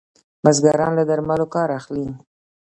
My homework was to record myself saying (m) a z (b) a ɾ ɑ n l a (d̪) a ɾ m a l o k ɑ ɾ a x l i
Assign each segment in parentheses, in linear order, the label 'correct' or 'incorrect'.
correct, incorrect: ɡ, correct

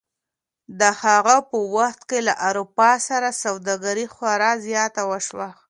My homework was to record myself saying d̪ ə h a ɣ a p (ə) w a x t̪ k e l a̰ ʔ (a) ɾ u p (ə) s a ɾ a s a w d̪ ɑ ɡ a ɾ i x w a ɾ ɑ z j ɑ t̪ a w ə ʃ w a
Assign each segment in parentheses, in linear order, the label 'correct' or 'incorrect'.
correct, correct, incorrect: ɑ

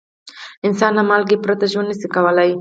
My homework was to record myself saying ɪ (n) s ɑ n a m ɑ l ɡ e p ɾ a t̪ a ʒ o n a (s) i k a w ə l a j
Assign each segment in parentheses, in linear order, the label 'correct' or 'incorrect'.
correct, correct

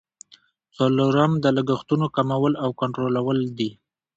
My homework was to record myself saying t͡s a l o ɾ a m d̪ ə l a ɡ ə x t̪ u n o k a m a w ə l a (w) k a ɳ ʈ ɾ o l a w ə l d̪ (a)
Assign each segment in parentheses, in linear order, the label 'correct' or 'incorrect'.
correct, incorrect: i

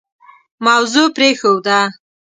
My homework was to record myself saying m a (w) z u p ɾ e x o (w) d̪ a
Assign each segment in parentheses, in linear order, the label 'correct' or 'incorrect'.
correct, correct

